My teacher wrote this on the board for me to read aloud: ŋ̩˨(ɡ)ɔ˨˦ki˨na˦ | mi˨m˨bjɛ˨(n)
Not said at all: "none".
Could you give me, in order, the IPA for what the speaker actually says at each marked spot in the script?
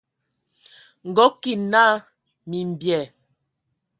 ɡ, none

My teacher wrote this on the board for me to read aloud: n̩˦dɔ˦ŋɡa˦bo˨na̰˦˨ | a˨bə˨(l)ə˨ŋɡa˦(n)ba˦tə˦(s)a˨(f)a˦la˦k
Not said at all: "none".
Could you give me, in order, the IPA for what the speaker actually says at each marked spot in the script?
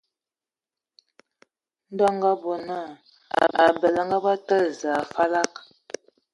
l, none, z, f

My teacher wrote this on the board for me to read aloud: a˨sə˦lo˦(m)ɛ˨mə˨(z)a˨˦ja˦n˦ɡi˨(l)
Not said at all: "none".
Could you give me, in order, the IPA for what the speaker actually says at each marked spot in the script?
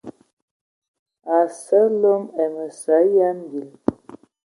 m, s, l

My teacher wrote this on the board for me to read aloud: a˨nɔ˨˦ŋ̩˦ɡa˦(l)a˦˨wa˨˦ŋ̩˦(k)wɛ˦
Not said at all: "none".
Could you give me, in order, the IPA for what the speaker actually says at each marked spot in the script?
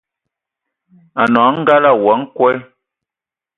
l, k

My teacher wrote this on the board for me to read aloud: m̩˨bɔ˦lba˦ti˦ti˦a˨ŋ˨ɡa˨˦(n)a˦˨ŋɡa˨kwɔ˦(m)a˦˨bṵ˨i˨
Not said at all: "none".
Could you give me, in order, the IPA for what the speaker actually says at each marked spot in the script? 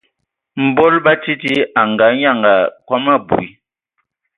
ɲ, m

